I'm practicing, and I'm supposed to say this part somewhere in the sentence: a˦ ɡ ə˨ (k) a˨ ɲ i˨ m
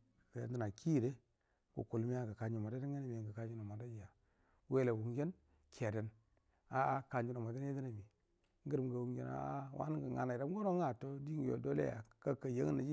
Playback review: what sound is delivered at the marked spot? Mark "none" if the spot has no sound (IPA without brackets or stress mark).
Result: k